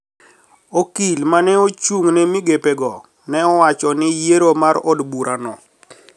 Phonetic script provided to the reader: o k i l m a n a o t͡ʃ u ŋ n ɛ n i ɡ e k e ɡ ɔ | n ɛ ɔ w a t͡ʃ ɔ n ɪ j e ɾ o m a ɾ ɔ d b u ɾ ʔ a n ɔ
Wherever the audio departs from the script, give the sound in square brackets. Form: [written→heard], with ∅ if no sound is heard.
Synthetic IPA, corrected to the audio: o k i l m a n [a→ɛ] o t͡ʃ u ŋ n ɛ [n→m] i ɡ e [k→p] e ɡ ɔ | n ɛ ɔ w a t͡ʃ ɔ n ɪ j e ɾ o m a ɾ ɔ d b u ɾ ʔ a n ɔ